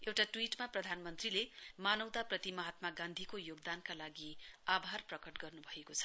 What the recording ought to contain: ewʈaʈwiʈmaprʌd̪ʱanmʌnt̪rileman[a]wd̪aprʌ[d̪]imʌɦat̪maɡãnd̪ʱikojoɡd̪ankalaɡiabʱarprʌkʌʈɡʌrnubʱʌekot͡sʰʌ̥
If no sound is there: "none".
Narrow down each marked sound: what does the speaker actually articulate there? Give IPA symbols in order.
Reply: ʌ, t̪

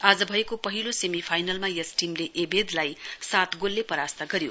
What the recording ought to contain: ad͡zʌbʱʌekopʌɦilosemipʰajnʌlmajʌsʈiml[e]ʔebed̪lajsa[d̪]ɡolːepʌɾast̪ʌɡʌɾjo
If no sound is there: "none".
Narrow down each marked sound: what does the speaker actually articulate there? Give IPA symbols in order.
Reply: e, t̪

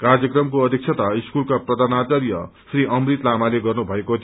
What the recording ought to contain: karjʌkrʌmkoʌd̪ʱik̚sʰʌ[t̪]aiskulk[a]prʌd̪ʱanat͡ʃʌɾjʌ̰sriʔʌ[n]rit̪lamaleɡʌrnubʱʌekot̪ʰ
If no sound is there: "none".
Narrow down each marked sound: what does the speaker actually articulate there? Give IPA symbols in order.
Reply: t̪, a, m

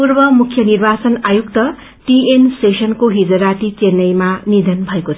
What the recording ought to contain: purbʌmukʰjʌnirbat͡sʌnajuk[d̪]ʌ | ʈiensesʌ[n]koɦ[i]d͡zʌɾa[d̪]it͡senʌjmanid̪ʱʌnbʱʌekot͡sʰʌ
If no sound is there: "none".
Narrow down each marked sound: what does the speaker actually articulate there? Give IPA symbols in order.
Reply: t̪, n, i, t̪

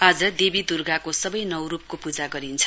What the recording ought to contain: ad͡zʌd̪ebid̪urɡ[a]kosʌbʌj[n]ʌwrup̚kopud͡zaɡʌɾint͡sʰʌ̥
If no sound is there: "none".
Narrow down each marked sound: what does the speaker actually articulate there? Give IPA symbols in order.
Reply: a, n

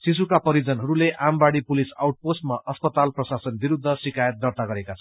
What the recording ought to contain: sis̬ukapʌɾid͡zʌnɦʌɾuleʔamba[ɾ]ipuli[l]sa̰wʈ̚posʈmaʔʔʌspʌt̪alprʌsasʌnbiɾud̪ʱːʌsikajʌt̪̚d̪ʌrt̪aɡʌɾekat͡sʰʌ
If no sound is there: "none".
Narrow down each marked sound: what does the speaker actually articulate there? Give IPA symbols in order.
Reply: ɽ, none

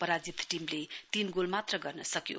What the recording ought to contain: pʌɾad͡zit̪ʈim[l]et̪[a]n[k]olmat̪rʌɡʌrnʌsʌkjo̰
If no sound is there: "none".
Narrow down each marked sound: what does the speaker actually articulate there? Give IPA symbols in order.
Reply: l, i, ɡ

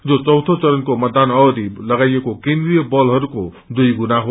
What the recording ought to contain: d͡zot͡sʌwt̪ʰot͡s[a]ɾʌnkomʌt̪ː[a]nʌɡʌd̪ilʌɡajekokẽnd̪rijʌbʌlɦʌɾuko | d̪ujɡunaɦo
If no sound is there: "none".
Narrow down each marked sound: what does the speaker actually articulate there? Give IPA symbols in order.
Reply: ʌ, a

